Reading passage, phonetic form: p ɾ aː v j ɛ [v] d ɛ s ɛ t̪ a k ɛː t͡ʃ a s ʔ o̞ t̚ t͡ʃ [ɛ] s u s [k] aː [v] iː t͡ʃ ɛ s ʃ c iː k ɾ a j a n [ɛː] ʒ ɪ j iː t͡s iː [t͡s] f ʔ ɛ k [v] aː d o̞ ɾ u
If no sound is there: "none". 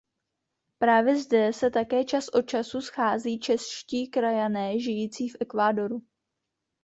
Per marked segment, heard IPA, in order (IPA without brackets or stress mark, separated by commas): z, a, x, z, ɛː, none, v